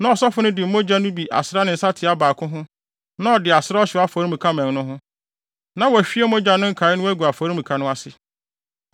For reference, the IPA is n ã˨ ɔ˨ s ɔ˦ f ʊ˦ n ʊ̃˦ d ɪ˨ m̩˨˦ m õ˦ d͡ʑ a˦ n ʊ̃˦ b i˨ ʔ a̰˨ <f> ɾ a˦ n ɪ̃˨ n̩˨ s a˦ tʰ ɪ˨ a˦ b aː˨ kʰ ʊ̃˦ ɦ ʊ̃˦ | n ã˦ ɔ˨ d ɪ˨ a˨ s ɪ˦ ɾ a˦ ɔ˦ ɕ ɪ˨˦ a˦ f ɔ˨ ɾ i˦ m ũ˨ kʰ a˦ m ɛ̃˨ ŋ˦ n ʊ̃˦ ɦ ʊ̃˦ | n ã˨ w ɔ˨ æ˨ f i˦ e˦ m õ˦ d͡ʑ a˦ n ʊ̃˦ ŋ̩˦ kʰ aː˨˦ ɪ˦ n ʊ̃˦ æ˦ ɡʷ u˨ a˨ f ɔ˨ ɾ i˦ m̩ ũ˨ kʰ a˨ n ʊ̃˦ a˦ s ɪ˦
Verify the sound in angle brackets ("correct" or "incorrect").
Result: incorrect